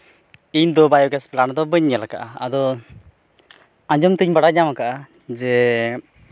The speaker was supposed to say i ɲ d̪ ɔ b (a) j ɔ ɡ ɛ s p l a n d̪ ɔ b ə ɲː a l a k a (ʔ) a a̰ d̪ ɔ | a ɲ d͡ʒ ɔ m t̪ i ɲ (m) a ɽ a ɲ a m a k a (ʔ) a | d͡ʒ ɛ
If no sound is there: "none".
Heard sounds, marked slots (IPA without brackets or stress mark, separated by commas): a, ʔ, b, ʔ